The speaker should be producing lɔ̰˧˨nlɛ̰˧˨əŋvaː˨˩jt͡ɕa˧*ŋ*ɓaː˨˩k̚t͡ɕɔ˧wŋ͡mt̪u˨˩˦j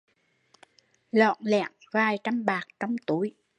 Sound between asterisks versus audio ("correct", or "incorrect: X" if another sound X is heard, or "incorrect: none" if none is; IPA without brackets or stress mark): incorrect: m